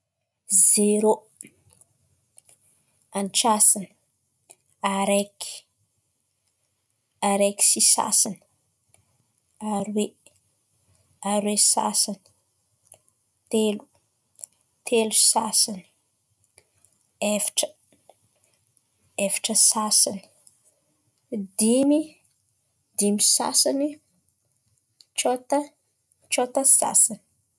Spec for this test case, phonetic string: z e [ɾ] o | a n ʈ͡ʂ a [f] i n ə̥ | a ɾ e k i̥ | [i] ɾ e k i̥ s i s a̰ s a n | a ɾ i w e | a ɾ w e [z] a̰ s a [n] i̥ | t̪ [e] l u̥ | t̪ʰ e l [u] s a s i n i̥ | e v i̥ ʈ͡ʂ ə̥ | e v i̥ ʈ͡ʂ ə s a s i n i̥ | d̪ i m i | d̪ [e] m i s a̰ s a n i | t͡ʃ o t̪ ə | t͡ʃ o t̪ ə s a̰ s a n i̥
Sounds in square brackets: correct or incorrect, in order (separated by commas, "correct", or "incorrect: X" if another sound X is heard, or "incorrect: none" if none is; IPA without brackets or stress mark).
correct, incorrect: s, incorrect: a, incorrect: s, correct, correct, correct, incorrect: i